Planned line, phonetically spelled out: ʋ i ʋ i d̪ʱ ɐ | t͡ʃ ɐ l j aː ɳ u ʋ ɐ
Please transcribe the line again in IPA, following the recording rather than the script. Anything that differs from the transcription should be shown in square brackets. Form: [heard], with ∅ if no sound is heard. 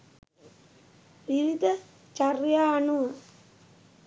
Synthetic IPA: ʋ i ʋ i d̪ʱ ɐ | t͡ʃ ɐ [r] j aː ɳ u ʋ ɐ